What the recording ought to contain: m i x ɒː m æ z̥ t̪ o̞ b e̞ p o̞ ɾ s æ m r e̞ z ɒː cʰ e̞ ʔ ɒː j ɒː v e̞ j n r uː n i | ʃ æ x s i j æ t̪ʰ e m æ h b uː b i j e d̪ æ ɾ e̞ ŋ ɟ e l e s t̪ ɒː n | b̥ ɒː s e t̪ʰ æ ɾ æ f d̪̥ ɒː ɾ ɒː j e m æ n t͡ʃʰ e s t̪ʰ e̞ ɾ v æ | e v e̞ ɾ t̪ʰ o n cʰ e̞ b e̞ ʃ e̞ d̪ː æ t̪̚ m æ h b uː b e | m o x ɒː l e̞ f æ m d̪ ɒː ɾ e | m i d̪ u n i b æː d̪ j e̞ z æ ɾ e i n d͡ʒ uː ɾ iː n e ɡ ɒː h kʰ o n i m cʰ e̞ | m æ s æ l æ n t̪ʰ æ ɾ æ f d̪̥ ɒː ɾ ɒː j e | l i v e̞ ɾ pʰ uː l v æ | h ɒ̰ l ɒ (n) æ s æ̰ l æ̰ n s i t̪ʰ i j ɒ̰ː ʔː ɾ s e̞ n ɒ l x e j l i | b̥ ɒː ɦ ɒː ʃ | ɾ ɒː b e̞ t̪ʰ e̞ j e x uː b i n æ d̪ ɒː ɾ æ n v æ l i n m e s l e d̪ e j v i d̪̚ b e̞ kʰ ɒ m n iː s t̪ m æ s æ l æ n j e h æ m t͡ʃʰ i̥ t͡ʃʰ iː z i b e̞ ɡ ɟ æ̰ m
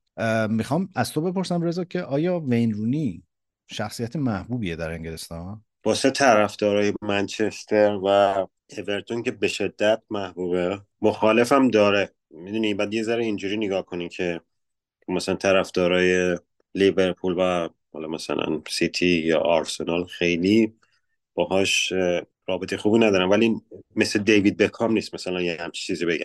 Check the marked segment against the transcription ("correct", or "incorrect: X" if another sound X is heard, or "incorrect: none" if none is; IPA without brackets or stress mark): incorrect: m